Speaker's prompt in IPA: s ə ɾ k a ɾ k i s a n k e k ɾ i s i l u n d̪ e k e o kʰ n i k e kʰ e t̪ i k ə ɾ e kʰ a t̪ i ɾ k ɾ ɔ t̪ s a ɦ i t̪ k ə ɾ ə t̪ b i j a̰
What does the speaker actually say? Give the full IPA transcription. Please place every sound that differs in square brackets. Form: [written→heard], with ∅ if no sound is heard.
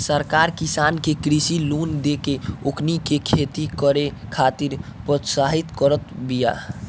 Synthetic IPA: s ə ɾ k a ɾ k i s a n k e k ɾ i s i l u n d̪ e k e o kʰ n i k e kʰ e t̪ i k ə ɾ e kʰ a t̪ i ɾ [k→p] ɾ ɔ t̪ s a ɦ i t̪ k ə ɾ ə t̪ b i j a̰